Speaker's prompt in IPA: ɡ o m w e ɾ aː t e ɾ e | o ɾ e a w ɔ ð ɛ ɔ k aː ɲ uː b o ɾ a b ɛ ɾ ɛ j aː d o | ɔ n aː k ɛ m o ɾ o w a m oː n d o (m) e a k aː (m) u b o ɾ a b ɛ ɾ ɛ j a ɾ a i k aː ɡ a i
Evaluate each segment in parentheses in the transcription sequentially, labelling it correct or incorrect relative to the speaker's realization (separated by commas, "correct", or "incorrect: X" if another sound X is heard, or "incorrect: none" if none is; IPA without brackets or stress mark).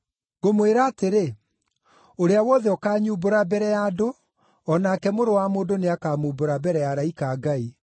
incorrect: n, correct